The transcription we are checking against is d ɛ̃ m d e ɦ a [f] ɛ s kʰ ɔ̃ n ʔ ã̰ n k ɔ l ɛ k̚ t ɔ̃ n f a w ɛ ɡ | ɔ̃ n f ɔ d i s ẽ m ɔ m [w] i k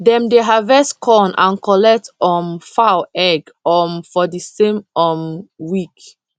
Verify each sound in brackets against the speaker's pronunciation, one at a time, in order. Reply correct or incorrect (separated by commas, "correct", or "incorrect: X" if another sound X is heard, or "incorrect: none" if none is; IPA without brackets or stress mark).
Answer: incorrect: v, correct